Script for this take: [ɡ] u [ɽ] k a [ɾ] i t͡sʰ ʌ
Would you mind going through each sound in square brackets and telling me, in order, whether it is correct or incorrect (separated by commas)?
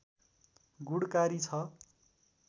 correct, correct, correct